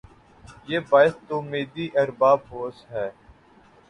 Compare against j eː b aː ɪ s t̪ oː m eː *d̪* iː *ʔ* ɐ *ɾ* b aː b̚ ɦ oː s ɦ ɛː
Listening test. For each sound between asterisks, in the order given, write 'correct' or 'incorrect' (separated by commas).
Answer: correct, correct, correct